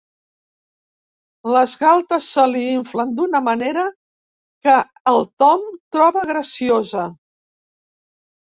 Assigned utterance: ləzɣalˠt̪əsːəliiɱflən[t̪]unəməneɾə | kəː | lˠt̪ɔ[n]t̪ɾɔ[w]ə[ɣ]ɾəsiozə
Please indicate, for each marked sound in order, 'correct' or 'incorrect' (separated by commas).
incorrect, incorrect, incorrect, correct